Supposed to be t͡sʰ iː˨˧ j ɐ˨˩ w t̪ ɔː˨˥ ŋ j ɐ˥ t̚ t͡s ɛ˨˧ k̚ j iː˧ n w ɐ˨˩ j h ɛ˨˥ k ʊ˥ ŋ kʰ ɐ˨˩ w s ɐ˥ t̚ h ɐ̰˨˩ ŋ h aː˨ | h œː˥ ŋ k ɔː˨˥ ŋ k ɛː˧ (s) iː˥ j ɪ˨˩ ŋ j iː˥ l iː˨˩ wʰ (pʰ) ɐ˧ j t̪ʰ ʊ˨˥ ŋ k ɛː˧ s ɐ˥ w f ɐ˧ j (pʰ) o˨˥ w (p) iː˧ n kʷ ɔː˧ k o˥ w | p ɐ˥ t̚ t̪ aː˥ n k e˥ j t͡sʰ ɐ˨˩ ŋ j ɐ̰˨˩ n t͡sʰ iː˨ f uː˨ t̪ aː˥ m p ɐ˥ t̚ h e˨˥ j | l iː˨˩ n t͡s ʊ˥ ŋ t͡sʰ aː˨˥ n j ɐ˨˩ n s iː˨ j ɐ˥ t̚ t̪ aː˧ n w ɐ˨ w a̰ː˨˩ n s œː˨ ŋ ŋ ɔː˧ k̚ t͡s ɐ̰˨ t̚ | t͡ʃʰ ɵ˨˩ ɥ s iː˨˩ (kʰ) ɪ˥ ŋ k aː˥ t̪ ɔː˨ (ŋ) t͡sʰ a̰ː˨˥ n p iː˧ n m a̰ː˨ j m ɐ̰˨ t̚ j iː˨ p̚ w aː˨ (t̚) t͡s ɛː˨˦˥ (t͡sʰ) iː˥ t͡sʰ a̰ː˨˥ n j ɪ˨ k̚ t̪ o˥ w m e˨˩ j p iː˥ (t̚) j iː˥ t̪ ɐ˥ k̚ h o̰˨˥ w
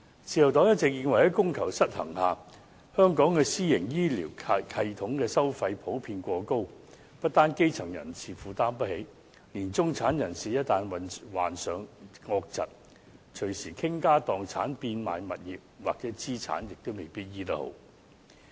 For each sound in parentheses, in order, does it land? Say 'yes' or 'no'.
yes, no, yes, no, yes, yes, no, no, yes

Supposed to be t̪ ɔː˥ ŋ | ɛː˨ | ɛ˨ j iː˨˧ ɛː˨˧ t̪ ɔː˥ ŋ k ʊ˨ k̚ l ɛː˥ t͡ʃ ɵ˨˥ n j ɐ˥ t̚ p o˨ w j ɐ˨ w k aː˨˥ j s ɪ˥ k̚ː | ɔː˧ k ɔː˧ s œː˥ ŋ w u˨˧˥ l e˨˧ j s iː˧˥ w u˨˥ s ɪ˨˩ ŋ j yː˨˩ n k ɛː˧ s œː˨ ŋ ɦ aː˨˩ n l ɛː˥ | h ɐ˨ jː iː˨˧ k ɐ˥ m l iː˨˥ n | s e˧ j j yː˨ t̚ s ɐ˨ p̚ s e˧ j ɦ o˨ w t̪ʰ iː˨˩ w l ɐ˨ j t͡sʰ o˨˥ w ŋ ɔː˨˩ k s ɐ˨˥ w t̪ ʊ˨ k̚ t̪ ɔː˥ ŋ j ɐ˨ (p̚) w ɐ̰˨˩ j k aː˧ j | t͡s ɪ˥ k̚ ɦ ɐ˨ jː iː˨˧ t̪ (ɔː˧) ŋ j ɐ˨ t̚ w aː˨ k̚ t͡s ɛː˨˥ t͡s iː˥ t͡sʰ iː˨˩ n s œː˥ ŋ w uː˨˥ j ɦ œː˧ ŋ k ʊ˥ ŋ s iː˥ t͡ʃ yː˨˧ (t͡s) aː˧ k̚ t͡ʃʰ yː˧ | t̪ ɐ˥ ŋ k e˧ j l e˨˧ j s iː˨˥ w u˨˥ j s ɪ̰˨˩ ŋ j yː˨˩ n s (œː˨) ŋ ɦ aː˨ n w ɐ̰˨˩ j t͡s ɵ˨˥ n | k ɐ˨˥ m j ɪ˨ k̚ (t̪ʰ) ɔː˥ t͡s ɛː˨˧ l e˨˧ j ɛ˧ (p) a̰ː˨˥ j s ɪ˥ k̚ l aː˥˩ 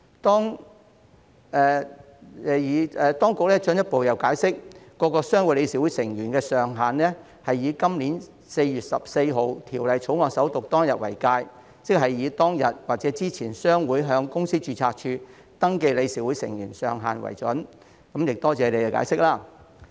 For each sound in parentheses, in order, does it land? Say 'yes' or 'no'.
no, no, no, yes, no, no

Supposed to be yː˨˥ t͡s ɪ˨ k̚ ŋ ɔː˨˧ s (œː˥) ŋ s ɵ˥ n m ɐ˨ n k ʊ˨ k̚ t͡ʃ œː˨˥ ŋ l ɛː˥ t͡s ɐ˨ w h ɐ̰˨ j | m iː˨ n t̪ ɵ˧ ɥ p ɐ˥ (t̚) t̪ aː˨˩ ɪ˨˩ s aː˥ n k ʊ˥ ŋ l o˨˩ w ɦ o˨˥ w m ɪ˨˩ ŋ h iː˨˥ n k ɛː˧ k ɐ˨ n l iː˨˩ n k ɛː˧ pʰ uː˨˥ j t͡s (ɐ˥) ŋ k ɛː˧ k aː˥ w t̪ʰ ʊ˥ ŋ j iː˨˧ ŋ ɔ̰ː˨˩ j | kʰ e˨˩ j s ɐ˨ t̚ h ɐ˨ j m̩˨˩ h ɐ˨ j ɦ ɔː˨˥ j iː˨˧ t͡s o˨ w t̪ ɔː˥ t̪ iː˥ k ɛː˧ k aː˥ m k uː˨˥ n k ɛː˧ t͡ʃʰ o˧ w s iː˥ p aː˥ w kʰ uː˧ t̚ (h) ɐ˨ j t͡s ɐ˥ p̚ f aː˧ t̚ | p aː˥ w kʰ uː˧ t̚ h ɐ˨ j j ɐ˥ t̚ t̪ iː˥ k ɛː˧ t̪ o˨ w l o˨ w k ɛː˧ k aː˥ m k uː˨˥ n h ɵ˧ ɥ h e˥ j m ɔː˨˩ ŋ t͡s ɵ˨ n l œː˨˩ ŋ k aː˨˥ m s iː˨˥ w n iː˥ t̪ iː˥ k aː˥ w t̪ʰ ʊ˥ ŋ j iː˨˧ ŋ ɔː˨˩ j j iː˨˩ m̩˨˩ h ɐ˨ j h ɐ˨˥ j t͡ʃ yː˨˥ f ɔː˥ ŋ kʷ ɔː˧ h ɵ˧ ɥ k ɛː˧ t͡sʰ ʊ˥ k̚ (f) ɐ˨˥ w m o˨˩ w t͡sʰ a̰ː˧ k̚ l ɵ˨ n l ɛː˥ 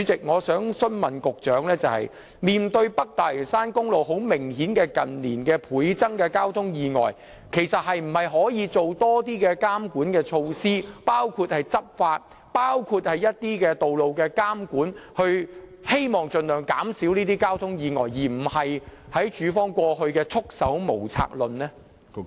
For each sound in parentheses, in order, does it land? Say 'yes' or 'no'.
no, no, yes, yes, no

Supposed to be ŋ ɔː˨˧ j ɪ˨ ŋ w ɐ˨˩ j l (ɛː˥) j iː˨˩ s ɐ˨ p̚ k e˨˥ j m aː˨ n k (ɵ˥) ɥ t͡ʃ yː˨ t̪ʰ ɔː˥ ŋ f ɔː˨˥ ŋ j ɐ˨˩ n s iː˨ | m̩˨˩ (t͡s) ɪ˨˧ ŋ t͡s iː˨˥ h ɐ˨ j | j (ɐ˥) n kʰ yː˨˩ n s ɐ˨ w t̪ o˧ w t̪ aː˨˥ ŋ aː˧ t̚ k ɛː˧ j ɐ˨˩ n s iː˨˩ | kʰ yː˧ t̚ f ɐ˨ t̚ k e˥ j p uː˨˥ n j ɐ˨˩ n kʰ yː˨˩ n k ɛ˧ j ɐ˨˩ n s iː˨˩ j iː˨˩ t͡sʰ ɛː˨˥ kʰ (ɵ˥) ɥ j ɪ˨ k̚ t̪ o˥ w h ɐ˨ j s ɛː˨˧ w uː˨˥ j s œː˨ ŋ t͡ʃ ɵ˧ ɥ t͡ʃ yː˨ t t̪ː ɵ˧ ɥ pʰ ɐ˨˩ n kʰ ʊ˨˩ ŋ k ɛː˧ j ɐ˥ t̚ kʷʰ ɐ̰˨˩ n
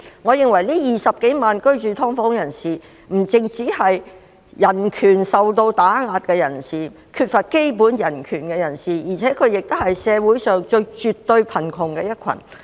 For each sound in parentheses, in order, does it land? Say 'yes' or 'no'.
no, yes, yes, no, no

